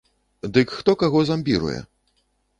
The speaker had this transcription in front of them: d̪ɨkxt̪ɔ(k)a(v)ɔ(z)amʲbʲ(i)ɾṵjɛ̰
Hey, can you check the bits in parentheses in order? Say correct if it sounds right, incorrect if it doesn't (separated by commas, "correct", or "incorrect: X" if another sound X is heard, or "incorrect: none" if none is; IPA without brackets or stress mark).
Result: correct, incorrect: ɣ, correct, correct